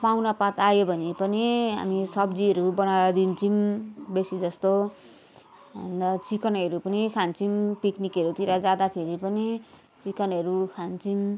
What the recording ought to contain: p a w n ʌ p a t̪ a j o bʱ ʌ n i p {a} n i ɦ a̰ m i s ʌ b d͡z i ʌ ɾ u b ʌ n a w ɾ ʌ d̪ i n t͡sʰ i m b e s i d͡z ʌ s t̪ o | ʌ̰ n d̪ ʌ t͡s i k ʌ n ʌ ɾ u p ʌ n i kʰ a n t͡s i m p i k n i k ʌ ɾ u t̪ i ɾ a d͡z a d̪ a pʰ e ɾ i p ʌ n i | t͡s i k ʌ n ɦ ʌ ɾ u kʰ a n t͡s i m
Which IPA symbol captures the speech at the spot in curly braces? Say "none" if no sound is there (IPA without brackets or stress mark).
ʌ